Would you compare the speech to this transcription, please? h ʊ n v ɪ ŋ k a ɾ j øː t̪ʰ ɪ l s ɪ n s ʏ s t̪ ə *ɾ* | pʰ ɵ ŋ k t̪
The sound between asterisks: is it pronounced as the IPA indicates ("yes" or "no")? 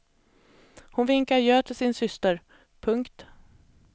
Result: yes